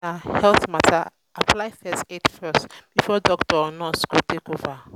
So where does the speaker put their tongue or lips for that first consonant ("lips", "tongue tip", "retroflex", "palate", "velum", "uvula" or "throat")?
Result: throat